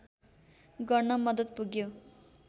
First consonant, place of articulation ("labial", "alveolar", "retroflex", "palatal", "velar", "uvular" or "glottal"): velar